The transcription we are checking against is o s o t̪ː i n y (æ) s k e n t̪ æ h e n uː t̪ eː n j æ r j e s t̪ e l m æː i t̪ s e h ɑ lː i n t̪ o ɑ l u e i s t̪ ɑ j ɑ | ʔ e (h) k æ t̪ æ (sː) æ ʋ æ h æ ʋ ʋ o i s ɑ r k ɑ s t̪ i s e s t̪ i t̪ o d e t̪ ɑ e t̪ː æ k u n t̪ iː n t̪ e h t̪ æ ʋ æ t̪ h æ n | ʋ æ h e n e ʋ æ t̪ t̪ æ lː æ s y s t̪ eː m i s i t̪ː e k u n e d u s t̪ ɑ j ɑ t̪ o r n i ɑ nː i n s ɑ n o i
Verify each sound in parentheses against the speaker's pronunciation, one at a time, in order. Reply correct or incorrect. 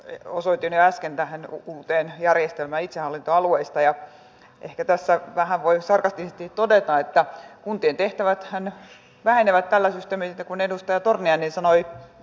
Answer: correct, correct, correct

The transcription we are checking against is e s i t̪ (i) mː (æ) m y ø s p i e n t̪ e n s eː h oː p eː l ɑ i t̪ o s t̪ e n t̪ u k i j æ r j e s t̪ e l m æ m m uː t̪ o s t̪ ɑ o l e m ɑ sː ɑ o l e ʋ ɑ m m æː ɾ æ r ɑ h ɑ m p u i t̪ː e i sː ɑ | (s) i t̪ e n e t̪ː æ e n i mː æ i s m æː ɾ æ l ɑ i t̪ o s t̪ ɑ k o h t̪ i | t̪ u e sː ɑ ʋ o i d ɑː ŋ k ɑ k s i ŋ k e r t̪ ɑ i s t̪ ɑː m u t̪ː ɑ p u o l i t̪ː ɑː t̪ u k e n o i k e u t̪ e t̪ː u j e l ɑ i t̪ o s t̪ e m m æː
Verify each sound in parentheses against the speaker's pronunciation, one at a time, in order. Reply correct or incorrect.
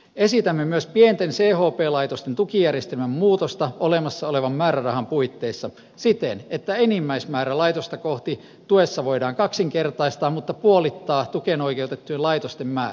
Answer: incorrect: æ, incorrect: e, correct

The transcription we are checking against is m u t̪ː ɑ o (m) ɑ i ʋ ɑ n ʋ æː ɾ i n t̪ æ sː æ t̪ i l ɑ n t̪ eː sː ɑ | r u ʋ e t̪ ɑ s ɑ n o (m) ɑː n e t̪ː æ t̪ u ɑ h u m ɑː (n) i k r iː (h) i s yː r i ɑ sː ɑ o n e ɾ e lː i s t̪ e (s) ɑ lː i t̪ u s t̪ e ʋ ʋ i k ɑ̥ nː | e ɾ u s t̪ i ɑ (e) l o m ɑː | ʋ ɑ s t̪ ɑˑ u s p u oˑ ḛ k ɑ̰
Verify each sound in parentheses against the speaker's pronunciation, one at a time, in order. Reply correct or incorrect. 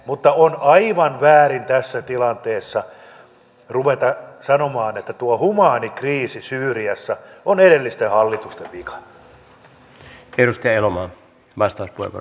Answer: incorrect: n, correct, correct, incorrect: s, incorrect: h, correct

